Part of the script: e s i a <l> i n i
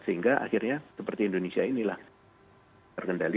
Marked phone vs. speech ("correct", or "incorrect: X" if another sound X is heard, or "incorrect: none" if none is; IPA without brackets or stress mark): incorrect: none